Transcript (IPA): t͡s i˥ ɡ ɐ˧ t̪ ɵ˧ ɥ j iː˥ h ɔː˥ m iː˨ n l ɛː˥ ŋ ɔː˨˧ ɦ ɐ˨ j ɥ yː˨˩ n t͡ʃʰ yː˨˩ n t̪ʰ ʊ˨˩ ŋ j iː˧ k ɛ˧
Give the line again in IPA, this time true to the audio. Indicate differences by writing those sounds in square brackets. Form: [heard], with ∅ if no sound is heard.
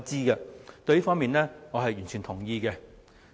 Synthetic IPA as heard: t͡s [iː˥] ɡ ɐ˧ t̪ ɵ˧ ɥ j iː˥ [f] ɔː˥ m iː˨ n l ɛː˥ ŋ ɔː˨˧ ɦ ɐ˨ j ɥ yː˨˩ n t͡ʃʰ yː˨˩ n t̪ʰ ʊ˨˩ ŋ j iː˧ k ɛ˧